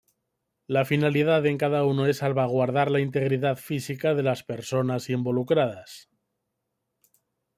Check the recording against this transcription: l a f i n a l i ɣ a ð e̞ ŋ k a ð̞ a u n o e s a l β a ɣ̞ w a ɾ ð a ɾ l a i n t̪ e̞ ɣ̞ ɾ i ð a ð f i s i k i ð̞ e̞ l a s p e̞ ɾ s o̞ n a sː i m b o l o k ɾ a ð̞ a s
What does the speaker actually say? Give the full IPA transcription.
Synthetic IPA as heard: l a f i n a l i ð a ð e̞ ŋ k a ð̞ a u n o e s a l β a ɣ̞ w a ɾ ð a ɾ l a i n t̪ e̞ ɣ̞ ɾ i ð a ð f i s i k a ð̞ e̞ l a s p e̞ ɾ s o̞ n a s i m b o l u k ɾ a ð̞ a s